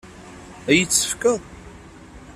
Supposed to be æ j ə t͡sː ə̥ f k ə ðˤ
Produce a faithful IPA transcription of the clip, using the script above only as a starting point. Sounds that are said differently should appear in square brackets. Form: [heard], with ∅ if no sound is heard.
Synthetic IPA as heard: æ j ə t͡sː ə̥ f k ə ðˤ